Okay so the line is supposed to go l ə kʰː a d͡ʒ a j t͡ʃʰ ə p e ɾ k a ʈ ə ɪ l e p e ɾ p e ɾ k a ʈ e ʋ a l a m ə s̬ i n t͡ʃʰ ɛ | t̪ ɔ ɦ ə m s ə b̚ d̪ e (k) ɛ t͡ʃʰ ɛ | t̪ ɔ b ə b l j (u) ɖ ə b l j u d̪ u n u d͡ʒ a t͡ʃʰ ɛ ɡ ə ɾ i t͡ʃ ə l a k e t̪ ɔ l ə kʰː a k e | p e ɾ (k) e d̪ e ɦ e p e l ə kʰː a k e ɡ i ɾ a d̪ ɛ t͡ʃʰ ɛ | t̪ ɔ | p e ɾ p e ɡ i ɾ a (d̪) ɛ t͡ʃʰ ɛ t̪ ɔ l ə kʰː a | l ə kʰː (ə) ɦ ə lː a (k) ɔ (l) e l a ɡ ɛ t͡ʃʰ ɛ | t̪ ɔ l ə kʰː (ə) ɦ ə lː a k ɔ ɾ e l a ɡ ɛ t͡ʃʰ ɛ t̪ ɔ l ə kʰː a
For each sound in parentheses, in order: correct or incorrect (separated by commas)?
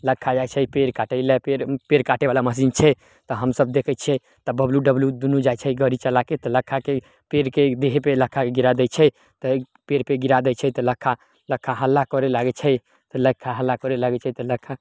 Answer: incorrect, correct, correct, correct, incorrect, correct, incorrect, incorrect